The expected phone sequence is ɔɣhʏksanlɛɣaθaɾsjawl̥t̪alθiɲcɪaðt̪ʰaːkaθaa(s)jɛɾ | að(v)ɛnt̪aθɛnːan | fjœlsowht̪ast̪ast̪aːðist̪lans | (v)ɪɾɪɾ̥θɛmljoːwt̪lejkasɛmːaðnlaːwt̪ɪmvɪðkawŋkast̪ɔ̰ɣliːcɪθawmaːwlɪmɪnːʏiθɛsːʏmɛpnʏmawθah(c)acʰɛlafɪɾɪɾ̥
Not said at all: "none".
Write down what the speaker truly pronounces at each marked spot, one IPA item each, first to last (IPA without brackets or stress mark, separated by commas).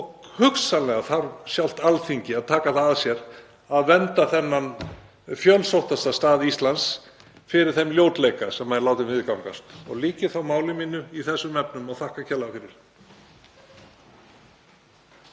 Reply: s, v, f, k